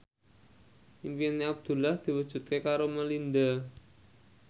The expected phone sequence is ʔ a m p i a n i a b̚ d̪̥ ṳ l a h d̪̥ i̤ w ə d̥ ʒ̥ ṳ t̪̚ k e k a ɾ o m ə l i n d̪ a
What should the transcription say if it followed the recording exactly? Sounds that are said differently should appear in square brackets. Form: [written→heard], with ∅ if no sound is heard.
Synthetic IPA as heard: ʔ [a→i] m p i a n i a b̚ d̪̥ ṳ l a h d̪̥ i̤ w ə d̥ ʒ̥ ṳ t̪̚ k e k a ɾ o m ə l i n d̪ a